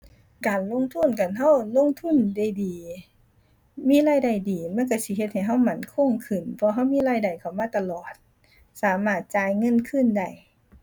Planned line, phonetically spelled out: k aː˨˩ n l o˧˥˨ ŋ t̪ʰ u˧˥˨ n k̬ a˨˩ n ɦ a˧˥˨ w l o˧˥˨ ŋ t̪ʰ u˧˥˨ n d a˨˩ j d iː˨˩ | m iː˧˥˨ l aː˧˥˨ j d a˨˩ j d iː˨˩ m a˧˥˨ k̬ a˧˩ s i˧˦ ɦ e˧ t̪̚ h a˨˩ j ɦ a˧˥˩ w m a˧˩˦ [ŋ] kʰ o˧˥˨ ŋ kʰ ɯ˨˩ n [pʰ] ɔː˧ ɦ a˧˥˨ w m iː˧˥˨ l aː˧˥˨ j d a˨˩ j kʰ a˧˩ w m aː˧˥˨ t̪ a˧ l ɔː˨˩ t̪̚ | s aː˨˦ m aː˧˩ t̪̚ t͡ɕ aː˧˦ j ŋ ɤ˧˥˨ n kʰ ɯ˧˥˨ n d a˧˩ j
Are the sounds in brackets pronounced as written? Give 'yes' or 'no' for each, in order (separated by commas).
no, yes